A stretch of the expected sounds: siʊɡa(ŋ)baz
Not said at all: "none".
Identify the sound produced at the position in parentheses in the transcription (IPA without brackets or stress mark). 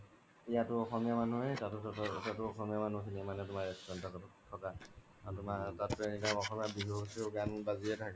n